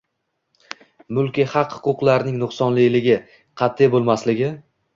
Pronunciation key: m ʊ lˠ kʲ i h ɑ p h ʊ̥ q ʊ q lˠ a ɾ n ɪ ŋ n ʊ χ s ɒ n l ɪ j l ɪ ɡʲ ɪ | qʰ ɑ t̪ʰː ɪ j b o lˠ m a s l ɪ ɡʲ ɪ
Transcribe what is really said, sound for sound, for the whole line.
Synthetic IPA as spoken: m ʊ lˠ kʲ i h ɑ q h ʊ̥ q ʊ q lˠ a ɾ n ɪ ŋ n ʊ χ s ɒ n l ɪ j l ɪ ɡʲ ɪ | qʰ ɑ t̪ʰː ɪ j b o lˠ m a s l ɪ ɡʲ ɪ